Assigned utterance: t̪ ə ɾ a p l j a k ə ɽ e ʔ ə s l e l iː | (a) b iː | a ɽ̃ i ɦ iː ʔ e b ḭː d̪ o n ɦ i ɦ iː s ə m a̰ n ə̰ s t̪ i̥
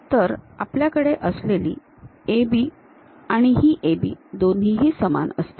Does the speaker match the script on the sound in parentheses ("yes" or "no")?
no